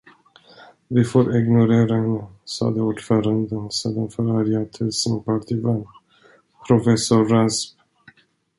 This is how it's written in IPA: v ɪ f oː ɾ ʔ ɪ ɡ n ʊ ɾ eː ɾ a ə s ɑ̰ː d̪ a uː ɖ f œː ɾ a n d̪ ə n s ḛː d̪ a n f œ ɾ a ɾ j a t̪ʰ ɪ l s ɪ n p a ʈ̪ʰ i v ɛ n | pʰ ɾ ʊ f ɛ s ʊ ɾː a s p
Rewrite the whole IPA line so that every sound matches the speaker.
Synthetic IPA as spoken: v ɪ f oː ɾ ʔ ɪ ɡ n ʊ ɾ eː ɾ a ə s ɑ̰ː d̪ ə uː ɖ f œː ɾ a n d̪ ə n s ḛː d̪ a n f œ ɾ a ɾ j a t̪ʰ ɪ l s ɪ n p a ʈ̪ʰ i v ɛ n | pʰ ɾ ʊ f ɛ s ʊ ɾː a s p